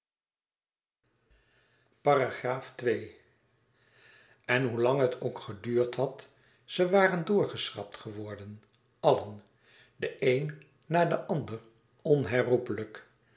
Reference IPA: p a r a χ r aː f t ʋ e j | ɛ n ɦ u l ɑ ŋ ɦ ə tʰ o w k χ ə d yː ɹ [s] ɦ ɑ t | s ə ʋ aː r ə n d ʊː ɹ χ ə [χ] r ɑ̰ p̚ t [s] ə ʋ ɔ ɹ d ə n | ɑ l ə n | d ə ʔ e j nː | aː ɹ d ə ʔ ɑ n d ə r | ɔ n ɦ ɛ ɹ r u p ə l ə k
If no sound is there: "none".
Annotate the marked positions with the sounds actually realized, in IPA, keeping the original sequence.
t, s, χ

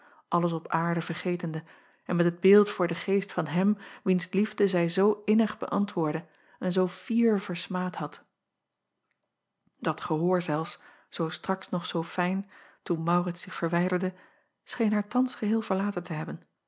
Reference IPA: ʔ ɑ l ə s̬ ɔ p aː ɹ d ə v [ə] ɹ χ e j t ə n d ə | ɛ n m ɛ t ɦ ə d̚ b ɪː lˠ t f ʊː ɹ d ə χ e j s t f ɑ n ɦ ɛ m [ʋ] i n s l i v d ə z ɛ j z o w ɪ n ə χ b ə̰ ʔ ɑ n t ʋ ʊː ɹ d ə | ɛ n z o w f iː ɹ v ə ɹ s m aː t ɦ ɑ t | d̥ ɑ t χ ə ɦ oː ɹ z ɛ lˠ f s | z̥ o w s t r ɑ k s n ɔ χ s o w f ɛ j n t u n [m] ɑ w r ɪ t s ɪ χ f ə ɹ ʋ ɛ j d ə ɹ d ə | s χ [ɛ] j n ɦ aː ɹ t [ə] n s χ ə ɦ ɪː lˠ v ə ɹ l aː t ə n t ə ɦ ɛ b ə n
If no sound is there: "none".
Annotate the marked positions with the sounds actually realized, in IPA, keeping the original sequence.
ə, ʋ, m, e, ɑ

